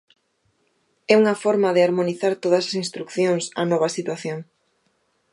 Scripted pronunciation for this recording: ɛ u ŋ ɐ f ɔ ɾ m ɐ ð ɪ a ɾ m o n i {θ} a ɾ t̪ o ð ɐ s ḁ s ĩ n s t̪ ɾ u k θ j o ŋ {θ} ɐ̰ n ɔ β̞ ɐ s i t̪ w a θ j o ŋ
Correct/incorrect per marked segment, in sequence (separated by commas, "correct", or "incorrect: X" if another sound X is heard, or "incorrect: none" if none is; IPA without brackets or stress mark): correct, incorrect: s